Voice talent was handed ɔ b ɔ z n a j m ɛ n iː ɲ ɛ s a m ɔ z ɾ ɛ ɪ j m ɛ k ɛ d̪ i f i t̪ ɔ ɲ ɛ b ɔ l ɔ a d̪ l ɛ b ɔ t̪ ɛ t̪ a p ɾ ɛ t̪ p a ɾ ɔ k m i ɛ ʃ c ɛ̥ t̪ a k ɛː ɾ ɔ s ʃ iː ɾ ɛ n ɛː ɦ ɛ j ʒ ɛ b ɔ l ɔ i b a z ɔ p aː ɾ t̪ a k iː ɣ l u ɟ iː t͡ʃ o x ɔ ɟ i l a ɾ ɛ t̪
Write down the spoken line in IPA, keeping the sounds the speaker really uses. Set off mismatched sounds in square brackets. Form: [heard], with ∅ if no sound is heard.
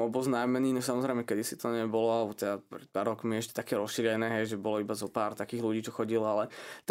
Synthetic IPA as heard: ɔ b ɔ z n a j m ɛ n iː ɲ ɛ s a m ɔ z ɾ ɛ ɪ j m ɛ k ɛ d̪ i [s] i t̪ ɔ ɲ ɛ b ɔ l ɔ a [∅] l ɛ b ɔ t̪ ɛ [d̪] a p ɾ ɛ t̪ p a ɾ ɔ k m i ɛ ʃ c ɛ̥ t̪ a k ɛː ɾ ɔ s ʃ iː ɾ ɛ n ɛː ɦ ɛ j ʒ ɛ b ɔ l ɔ i b a z ɔ p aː ɾ t̪ a k iː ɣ l u ɟ iː t͡ʃ [ɔ] x ɔ ɟ i l a [l] ɛ t̪